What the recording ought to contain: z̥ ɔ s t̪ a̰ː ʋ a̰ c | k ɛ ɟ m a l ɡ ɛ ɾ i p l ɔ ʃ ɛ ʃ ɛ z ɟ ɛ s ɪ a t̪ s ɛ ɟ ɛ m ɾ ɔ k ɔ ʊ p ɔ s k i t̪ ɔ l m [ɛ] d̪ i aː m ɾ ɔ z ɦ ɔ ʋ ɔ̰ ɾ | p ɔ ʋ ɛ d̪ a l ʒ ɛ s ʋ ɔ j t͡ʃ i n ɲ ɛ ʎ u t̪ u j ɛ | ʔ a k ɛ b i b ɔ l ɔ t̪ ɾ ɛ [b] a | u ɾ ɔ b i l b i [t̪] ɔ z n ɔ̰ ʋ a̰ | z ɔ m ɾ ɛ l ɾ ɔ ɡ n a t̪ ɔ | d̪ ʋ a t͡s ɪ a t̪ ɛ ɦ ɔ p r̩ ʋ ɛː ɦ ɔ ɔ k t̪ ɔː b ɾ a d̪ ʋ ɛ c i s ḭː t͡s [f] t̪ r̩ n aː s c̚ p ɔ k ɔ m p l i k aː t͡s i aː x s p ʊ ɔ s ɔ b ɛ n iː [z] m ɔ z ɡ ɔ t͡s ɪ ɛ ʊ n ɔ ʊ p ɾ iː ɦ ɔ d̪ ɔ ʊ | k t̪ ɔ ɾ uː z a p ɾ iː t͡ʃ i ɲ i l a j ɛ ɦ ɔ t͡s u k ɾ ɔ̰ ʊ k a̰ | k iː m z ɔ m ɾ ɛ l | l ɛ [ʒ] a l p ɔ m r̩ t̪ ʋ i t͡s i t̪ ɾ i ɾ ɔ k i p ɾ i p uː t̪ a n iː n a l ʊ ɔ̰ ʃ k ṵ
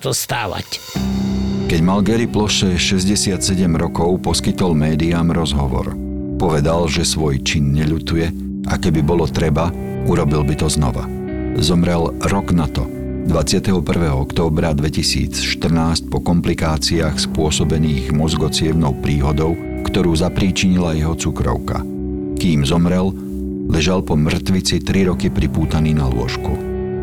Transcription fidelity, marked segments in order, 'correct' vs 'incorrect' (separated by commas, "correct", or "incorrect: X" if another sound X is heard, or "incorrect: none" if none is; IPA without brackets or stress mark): incorrect: ɛː, correct, correct, incorrect: ʃ, incorrect: ɣ, correct